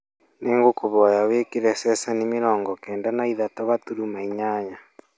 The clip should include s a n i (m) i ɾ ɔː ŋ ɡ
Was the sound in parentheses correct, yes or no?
yes